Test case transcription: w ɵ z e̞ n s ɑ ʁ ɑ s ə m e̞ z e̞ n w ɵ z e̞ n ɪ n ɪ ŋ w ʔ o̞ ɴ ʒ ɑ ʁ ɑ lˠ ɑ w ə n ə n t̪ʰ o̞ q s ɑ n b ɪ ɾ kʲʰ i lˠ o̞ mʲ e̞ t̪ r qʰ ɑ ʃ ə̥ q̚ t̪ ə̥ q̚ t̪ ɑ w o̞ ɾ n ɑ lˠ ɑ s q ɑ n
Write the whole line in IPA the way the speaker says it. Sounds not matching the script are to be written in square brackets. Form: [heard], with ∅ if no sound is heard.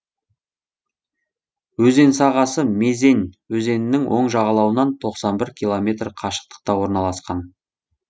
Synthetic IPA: w ɵ z e̞ n s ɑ ʁ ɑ s ə m e̞ z e̞ n w ɵ z e̞ n ɪ n ɪ ŋ w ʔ o̞ ɴ ʒ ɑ ʁ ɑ lˠ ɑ w ə n [ɑ] n t̪ʰ o̞ q s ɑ n b ɪ ɾ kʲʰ i lˠ o̞ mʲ e̞ t̪ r qʰ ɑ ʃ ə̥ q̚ t̪ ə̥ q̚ t̪ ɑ w o̞ ɾ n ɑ lˠ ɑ s q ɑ n

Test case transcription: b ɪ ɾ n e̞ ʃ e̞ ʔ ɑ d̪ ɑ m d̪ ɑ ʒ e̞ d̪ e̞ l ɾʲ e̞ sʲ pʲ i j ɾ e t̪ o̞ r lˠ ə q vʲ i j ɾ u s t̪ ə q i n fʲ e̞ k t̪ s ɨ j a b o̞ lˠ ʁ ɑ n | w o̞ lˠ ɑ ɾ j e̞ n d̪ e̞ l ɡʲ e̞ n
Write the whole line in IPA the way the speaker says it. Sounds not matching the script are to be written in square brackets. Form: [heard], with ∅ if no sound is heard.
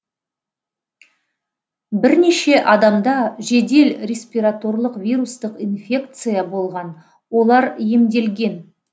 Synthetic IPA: b ɪ ɾ n e̞ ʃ e̞ ʔ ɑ d̪ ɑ m d̪ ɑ ʒ e̞ d̪ e̞ l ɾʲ e̞ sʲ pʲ i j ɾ [a] t̪ o̞ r lˠ ə q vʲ i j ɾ u s t̪ ə q i n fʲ e̞ k t̪ s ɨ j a b o̞ lˠ ʁ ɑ n | w o̞ lˠ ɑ ɾ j e̞ [m] d̪ e̞ l ɡʲ e̞ n

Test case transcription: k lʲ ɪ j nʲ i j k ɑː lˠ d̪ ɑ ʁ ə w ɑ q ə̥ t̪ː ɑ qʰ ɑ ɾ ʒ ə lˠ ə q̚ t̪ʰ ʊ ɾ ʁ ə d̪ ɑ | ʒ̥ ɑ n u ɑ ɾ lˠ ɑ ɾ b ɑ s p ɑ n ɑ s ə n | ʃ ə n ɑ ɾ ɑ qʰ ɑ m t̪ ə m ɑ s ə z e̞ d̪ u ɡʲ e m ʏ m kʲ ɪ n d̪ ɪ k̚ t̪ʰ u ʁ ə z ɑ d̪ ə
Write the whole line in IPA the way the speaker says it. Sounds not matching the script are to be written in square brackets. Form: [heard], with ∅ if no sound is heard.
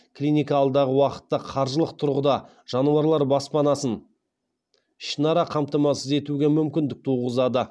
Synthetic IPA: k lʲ [i] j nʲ i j k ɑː lˠ d̪ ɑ ʁ ə w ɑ q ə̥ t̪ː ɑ qʰ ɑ ɾ ʒ ə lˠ ə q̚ t̪ʰ ʊ ɾ ʁ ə d̪ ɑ | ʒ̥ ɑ n u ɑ ɾ lˠ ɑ ɾ b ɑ s p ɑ n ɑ s ə n | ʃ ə n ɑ ɾ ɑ qʰ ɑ m t̪ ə m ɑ s ə z e̞ [t̪] u ɡʲ e m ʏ m kʲ ɪ n d̪ ɪ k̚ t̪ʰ u ʁ ə z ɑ d̪ ə

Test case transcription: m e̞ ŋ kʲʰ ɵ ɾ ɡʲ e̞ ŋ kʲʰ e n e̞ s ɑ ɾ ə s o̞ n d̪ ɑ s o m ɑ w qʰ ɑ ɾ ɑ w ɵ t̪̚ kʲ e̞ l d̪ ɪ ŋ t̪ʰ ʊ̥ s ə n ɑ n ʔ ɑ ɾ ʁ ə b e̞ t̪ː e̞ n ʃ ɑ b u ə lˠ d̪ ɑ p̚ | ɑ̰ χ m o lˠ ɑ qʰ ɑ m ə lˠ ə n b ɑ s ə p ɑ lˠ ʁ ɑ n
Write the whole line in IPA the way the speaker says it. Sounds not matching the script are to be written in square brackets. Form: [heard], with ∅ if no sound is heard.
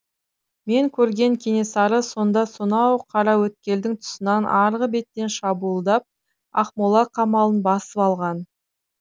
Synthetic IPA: m e̞ ŋ kʲʰ ɵ ɾ ɡʲ e̞ ŋ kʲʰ e n e̞ s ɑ ɾ ə s o̞ n d̪ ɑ s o [n] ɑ w qʰ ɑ ɾ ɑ w ɵ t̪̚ kʲ e̞ l d̪ ɪ ŋ t̪ʰ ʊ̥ s ə n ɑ n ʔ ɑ ɾ ʁ ə b e̞ t̪ː e̞ n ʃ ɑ b u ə lˠ d̪ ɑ p̚ | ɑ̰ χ m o lˠ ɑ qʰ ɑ m [ɑ] lˠ ə n b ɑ s ə p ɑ lˠ ʁ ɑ n

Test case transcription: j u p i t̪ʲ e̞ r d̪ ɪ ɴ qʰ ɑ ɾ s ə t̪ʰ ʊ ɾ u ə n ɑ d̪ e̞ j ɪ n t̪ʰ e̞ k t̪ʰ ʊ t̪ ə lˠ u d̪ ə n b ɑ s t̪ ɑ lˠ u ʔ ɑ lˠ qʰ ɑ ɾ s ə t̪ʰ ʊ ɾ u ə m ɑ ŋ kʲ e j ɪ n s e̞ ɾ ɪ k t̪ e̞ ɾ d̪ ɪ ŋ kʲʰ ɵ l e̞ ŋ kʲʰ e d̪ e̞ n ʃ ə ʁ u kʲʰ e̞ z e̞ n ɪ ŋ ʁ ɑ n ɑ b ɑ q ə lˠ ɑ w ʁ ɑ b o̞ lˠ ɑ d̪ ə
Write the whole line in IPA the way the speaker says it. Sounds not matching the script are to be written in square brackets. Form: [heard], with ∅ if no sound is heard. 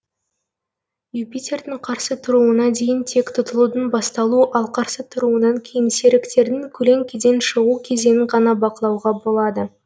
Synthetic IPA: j u p i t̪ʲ e̞ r d̪ ɪ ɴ qʰ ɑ ɾ s ə t̪ʰ ʊ ɾ u ə n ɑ d̪ e̞ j ɪ n t̪ʰ e̞ k t̪ʰ ʊ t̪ ə lˠ u d̪ ə n b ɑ s t̪ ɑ lˠ u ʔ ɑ lˠ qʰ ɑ ɾ s ə t̪ʰ ʊ ɾ u ə [n] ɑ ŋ [kʲʰ] e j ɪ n s e̞ ɾ ɪ k t̪ e̞ ɾ d̪ ɪ ŋ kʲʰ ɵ l e̞ ŋ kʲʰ e d̪ e̞ n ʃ ə ʁ u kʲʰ e̞ z e̞ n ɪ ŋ ʁ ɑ n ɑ b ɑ q ə lˠ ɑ w ʁ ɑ b o̞ lˠ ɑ d̪ ə

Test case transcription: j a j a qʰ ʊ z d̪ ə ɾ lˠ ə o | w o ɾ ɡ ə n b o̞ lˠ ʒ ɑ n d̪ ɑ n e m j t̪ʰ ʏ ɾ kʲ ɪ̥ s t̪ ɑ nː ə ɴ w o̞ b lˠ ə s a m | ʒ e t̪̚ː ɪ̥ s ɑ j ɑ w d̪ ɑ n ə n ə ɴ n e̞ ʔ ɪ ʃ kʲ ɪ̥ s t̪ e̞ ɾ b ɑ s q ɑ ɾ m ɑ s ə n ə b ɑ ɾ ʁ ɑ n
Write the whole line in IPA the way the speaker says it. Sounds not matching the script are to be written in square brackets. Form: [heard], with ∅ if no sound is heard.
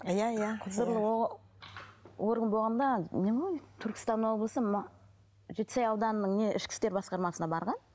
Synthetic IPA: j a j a qʰ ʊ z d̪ ə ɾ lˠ ə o | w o ɾ ɡ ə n b o̞ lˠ [ʁ] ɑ n d̪ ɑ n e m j t̪ʰ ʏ ɾ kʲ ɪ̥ s t̪ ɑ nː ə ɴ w o̞ b lˠ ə s [ə] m | ʒ e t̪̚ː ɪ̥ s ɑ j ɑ w d̪ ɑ n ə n ə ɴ n e̞ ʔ ɪ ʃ kʲ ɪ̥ s t̪ e̞ ɾ b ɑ s q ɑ ɾ m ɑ s ə n [ɑ] b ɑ ɾ ʁ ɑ n

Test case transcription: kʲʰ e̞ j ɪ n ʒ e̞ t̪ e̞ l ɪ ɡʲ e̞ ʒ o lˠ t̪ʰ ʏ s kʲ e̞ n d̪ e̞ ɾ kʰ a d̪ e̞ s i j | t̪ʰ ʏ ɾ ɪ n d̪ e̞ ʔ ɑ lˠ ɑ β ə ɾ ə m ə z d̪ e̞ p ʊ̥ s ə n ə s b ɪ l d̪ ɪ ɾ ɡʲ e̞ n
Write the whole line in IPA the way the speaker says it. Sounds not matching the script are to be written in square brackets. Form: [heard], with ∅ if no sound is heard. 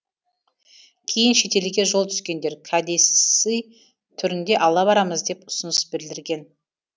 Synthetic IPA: kʲʰ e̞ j ɪ n [ʃ] e̞ t̪ e̞ l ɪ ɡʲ e̞ ʒ o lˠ t̪ʰ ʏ s kʲ e̞ n d̪ e̞ ɾ kʰ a d̪ e̞ s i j | t̪ʰ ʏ ɾ ɪ n d̪ e̞ ʔ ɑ lˠ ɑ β [ɑ] ɾ [ɑ] m ə z d̪ e̞ p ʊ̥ s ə n ə s b ɪ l d̪ ɪ ɾ ɡʲ e̞ n

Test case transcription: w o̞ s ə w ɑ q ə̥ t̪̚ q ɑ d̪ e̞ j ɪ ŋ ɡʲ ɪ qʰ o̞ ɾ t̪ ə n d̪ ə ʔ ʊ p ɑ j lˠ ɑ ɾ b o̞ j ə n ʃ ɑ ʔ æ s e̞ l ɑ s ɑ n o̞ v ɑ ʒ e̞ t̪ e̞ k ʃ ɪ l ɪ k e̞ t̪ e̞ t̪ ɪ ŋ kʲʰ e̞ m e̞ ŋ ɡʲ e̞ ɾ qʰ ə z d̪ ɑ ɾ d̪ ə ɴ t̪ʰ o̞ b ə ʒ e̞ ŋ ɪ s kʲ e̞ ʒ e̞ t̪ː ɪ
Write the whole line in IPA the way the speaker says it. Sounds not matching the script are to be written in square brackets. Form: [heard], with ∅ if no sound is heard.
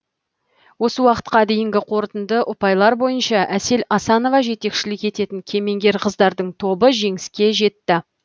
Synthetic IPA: w o̞ s ə w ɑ q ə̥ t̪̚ q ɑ d̪ e̞ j ɪ ŋ ɡʲ ɪ qʰ o̞ ɾ t̪ ə n d̪ ə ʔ ʊ p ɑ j lˠ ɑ ɾ b o̞ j ə n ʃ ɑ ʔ æ s e̞ l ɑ s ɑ n o̞ v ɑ ʒ e̞ t̪ e̞ k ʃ ɪ l ɪ k e̞ t̪ e̞ t̪ ɪ ŋ kʲʰ e̞ m e̞ ŋ ɡʲ e̞ ɾ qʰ ə z d̪ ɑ ɾ d̪ ə ɴ t̪ʰ o̞ b ə ʒ e̞ ŋ ɪ s kʲ e̞ ʒ e̞ t̪ː ɪ

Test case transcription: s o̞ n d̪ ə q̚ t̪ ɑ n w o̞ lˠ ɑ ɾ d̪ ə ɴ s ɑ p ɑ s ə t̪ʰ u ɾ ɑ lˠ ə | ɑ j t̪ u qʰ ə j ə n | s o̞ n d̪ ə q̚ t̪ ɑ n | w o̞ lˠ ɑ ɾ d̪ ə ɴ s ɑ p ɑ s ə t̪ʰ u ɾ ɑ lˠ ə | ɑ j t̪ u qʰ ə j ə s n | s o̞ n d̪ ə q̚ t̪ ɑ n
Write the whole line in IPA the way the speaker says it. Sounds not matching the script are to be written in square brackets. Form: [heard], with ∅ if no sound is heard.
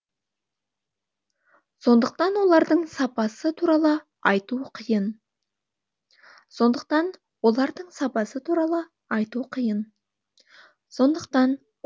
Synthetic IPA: s o̞ n d̪ ə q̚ t̪ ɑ n w o̞ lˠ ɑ ɾ d̪ ə ɴ s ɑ p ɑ s ə t̪ʰ u ɾ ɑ lˠ ə | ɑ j t̪ u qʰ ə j ə n | s o̞ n d̪ ə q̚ t̪ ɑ n | w o̞ lˠ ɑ ɾ d̪ ə ɴ s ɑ p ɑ s ə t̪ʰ u ɾ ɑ lˠ ə | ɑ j t̪ u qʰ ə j ə [∅] n | s o̞ n d̪ ə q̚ t̪ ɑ n

